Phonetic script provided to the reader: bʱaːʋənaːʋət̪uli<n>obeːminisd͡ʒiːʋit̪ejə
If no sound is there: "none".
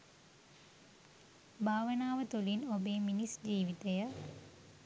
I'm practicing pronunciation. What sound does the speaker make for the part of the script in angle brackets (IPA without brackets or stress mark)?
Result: n